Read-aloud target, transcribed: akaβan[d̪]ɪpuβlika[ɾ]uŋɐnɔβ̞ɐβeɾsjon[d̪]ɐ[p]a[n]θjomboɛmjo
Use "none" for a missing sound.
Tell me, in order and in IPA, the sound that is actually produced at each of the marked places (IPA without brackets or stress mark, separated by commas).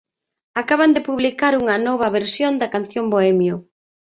d̪, ɾ, d̪, k, n